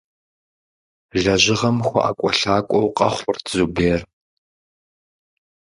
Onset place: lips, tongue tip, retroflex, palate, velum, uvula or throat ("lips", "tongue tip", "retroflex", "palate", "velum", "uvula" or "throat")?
tongue tip